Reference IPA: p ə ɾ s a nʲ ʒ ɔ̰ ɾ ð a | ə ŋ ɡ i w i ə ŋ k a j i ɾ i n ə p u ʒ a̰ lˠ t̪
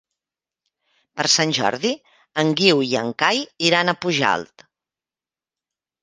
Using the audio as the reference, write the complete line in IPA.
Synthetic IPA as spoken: p ə ɾ s a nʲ ʒ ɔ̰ ɾ ð i | ə ŋ ɡ i w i ə ŋ k a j i ɾ a n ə p u ʒ a̰ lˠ t̪